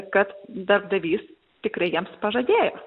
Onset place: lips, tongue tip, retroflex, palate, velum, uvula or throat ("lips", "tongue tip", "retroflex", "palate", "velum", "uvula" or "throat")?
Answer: velum